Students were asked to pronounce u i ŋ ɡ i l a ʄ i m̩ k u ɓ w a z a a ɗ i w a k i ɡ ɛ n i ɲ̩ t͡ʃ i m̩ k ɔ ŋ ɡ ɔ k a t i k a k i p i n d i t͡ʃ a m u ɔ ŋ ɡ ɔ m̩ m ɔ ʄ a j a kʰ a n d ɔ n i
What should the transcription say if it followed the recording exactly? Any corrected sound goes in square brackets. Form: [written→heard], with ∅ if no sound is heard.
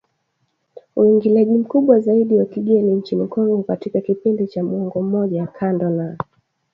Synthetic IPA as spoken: u i ŋ ɡ i l a ʄ i m̩ k u ɓ w a z a [a→i] ɗ i w a k i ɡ ɛ n i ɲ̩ t͡ʃ i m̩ k ɔ ŋ ɡ ɔ k a t i k a k i p i n d i t͡ʃ a m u ɔ ŋ ɡ ɔ m̩ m ɔ ʄ a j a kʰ a n d ɔ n [i→a]